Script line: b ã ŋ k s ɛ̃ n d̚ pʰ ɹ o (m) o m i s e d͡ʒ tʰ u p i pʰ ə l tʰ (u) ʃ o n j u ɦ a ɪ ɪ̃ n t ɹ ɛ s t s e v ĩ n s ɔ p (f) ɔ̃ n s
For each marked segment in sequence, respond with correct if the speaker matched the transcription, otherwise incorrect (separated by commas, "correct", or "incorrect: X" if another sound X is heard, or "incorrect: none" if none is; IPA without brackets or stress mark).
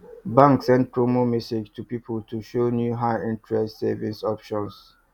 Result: correct, correct, incorrect: ʃ